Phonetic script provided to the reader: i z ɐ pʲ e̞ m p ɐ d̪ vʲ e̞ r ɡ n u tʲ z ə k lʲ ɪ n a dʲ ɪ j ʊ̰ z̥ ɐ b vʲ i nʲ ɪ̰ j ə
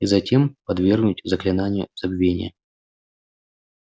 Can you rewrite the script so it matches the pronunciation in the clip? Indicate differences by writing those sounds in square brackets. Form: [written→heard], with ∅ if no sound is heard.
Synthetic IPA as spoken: i z ɐ [pʲ→tʲ] e̞ m p ɐ d̪ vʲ e̞ r ɡ n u tʲ z ə k lʲ ɪ n a [dʲ→nʲ] ɪ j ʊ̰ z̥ ɐ b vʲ [i→e] nʲ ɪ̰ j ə